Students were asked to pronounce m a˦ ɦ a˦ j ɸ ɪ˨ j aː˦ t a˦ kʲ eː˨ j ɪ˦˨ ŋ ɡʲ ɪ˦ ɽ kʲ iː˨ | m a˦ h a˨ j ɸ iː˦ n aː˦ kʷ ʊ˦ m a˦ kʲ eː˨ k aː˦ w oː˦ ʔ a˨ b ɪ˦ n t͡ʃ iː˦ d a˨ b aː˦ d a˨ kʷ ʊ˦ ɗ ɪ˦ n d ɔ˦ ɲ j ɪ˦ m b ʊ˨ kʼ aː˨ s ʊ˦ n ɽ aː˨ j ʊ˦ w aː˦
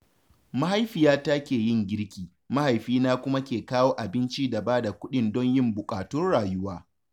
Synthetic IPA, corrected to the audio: m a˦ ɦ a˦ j ɸ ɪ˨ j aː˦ t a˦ kʲ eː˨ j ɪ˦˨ ŋ ɡʲ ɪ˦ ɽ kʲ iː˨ | m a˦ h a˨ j ɸ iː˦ n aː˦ kʷ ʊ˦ m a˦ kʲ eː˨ k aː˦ w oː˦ ʔ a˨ b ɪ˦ n t͡ʃ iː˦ d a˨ b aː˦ d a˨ kʷ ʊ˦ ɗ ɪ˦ n d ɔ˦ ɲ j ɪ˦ m b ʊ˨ kʼ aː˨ t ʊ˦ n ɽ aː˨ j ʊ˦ w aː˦

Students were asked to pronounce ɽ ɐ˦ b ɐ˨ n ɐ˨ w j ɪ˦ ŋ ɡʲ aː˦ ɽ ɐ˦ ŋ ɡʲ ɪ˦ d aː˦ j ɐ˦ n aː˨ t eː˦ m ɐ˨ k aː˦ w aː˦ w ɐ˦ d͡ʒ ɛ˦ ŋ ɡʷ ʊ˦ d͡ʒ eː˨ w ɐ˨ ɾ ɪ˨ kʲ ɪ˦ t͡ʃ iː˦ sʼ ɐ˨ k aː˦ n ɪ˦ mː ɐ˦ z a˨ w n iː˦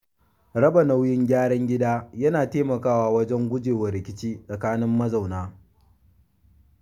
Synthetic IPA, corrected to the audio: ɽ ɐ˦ b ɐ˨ n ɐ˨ w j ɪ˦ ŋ ɡʲ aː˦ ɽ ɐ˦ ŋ ɡʲ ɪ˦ d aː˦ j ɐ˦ n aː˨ t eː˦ m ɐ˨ k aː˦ w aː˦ w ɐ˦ d͡ʒ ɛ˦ ŋ ɡʷ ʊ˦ d͡ʒ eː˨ w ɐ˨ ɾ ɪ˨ kʲ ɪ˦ t͡ʃ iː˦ sʼ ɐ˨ k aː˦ n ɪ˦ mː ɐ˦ z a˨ w n aː˦

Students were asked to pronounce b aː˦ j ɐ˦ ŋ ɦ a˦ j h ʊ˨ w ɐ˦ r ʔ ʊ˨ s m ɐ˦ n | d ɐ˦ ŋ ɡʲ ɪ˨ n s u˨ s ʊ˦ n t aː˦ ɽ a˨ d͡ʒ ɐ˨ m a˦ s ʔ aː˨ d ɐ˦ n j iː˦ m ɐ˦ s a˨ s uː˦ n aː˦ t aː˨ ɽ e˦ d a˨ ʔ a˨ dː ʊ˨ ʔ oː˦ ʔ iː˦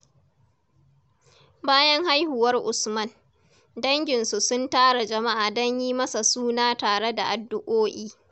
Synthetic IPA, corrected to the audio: b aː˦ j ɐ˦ ŋ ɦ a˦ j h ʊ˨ w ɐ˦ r ʔ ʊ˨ s m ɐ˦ n | d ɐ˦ ŋ ɡʲ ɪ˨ n s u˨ s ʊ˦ n t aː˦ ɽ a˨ d͡ʒ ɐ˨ m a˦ ʔ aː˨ d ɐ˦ ɲ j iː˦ m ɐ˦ s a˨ s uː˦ n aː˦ t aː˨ ɽ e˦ d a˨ ʔ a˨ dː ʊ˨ ʔ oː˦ ʔ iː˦

